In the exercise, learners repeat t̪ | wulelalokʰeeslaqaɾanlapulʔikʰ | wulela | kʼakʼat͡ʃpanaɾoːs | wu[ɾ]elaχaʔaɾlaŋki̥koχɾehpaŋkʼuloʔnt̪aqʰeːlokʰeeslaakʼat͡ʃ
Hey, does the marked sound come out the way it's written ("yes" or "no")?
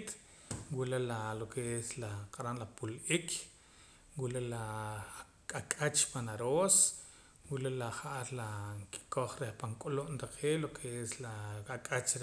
no